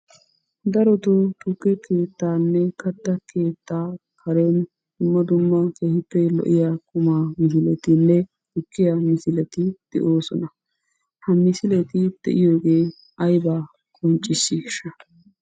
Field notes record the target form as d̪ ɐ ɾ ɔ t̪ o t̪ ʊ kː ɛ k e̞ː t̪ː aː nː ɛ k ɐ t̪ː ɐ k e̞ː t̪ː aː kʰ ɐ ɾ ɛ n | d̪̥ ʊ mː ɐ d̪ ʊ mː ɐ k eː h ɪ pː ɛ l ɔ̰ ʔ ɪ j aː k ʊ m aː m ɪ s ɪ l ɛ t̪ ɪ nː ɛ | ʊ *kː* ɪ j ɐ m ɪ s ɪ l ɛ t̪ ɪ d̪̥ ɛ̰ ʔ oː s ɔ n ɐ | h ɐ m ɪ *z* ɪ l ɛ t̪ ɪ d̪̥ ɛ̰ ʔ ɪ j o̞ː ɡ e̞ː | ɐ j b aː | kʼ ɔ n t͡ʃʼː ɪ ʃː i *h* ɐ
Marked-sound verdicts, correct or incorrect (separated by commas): correct, incorrect, incorrect